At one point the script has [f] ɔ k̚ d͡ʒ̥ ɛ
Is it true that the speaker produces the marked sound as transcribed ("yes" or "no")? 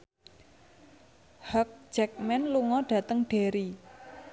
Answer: no